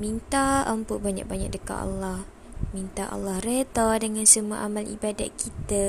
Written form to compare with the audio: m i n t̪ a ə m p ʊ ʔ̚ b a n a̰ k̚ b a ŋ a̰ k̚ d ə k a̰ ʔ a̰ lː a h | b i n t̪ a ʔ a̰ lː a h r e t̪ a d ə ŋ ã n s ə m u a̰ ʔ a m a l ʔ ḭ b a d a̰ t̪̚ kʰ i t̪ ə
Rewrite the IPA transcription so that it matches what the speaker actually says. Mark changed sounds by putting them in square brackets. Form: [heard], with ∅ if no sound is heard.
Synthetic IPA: m i n t̪ a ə m p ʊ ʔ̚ b a [ɲ] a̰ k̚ b a [ɲ] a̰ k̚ d ə k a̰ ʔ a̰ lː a h | [m] i n t̪ a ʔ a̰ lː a h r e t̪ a d ə ŋ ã n s ə m u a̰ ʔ a m a l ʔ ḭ b a d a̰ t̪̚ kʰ i t̪ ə